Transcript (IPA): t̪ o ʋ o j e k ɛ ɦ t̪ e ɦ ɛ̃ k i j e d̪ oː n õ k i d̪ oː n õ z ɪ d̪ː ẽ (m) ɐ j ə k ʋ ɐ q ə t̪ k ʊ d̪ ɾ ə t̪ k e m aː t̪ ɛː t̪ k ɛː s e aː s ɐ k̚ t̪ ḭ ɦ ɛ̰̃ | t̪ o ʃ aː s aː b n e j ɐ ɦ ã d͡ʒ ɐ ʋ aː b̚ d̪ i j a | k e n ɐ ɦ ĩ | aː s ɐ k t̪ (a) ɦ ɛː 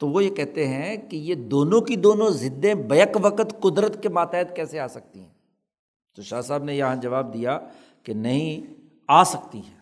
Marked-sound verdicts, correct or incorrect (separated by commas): incorrect, incorrect